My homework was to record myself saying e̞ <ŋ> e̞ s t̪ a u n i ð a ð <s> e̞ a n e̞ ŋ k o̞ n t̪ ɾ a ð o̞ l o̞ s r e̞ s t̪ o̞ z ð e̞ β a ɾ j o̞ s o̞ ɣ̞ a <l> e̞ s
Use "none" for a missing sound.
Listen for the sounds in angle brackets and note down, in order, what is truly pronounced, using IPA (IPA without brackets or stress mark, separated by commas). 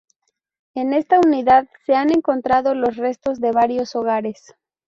n, s, ɾ